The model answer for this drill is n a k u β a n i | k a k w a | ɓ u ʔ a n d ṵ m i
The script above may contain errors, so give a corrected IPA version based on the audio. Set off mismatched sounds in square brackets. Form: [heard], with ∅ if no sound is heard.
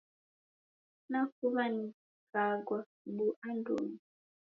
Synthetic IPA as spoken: n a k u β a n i | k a [ɡ] w a | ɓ u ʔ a n d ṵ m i